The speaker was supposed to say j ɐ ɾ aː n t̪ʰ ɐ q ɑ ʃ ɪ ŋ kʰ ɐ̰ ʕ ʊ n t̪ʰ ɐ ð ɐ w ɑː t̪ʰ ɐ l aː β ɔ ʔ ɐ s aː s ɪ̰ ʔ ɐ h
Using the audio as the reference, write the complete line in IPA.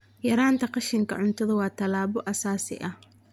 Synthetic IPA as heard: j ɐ ɾ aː n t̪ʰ ɐ q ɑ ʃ ɪ ŋ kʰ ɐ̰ ʕ ʊ n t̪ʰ ɐ ð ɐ w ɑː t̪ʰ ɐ l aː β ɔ ʔ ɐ s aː s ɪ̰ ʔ ɐ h